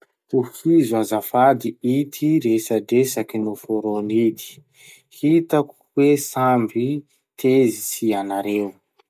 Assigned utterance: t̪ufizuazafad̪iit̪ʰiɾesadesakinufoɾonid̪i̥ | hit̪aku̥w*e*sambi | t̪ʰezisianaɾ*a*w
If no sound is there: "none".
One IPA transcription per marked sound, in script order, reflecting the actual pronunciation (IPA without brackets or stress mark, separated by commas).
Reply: e, e